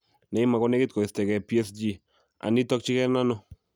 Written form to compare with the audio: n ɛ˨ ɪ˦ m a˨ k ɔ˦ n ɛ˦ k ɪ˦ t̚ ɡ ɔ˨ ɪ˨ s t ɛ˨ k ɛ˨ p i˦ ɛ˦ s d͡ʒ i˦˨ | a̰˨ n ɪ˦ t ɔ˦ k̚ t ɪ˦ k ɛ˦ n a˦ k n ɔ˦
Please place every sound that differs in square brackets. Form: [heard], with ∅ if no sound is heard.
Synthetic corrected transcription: n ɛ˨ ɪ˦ m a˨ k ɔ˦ n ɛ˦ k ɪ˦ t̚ [k] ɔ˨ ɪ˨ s t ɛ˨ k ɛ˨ p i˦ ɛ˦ s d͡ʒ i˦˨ | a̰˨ n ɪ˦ t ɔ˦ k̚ [t͡ʃ] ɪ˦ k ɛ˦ n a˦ [∅] n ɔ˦